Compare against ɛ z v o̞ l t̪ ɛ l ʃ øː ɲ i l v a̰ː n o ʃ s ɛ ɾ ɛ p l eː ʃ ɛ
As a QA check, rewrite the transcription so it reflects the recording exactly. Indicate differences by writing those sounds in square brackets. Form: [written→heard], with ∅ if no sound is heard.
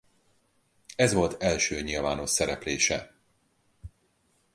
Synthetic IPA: ɛ z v o̞ l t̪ ɛ l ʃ øː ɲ i l v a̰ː n o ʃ s ɛ ɾ ɛ p l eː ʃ ɛ